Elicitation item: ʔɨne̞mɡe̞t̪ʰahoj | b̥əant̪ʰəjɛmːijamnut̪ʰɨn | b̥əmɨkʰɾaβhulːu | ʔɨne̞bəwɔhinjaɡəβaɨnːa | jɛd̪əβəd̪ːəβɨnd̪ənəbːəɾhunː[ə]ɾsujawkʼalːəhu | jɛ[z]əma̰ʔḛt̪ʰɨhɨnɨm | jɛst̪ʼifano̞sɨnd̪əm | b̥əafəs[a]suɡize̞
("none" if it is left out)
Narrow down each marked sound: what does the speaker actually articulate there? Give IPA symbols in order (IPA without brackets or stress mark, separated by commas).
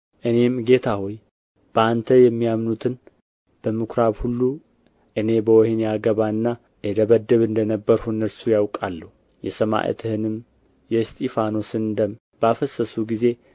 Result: ə, s, ə